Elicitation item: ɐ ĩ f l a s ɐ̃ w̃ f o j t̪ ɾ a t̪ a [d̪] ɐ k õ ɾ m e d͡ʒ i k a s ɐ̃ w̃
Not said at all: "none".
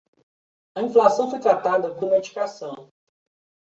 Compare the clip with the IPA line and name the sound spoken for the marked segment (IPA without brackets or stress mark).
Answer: d̪